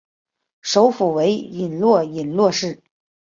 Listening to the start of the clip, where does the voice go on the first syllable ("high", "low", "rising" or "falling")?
rising